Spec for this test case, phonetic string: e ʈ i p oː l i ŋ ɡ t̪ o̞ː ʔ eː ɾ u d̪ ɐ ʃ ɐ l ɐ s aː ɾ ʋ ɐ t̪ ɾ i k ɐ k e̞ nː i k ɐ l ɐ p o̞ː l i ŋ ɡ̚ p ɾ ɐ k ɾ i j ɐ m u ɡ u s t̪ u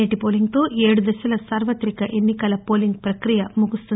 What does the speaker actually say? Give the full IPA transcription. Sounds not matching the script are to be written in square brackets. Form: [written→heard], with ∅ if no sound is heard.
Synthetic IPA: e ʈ i p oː l i ŋ ɡ t̪ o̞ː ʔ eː [ɾ→ɽ] u d̪ ɐ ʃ ɐ l ɐ s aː ɾ ʋ ɐ t̪ ɾ i k ɐ [k→ʔ] e̞ nː i k ɐ l ɐ p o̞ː l i ŋ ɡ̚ p ɾ ɐ k ɾ i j ɐ m u ɡ u s t̪ u